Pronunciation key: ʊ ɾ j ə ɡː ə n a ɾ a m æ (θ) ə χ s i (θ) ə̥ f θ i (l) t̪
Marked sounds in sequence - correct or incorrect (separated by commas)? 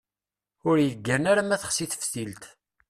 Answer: correct, correct, correct